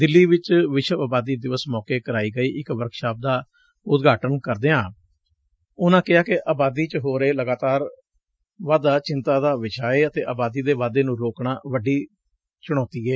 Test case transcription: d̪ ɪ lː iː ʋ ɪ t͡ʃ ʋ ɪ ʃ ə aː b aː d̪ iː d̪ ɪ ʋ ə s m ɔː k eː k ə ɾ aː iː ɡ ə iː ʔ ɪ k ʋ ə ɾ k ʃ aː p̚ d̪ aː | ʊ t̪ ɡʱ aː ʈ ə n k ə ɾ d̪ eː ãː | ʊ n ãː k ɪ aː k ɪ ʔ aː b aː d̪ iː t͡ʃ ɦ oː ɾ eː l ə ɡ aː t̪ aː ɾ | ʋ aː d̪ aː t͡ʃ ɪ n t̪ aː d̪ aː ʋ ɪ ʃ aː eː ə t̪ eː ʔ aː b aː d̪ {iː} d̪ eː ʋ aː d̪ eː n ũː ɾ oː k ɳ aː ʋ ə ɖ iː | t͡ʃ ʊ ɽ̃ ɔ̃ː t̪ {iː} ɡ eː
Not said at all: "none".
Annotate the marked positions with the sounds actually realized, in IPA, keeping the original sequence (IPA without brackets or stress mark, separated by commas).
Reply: iː, iː